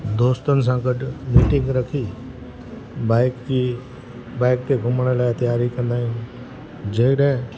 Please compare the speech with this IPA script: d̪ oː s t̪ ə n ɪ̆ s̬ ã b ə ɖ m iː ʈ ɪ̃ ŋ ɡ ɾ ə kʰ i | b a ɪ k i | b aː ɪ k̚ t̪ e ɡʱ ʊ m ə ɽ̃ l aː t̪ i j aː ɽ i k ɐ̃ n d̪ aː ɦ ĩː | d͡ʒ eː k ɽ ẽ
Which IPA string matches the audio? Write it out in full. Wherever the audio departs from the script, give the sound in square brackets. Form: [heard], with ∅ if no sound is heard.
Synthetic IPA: d̪ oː s t̪ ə n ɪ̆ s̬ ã [ɡ] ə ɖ m iː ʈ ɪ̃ ŋ ɡ ɾ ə kʰ i | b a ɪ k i | b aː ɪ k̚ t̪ e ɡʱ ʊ m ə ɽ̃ l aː t̪ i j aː [ɾ] i k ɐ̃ n d̪ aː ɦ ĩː | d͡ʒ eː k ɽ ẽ